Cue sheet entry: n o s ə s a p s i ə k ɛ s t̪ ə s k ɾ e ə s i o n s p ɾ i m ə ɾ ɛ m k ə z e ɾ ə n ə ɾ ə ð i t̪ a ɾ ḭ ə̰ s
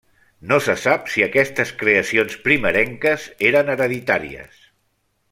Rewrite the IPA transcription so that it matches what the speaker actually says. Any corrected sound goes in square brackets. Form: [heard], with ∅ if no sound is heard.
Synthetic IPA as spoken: n o s ə s a p s i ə k ɛ s t̪ ə s k ɾ e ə s i o n s p ɾ i m ə ɾ ɛ [ŋ] k ə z e ɾ ə n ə ɾ ə ð i t̪ a ɾ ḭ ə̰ s